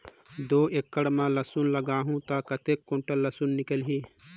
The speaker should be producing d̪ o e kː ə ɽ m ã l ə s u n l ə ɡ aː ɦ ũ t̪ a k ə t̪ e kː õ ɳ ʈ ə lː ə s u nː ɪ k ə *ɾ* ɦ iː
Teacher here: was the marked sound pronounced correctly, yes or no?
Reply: no